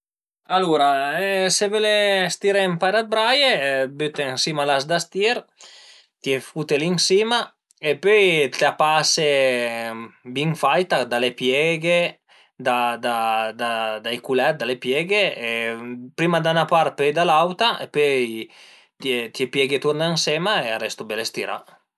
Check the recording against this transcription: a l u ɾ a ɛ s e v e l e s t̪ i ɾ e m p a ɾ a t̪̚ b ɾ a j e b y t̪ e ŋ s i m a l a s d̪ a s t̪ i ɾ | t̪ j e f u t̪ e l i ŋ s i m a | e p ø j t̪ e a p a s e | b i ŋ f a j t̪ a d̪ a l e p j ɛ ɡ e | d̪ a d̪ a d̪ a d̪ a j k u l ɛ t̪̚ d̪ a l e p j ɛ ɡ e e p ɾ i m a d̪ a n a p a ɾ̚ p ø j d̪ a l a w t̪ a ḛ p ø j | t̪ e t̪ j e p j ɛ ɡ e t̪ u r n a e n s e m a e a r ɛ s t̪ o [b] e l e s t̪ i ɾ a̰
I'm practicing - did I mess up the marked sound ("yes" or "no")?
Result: no